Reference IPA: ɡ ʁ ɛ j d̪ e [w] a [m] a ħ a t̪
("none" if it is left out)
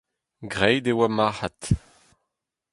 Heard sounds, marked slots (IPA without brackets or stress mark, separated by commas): w, m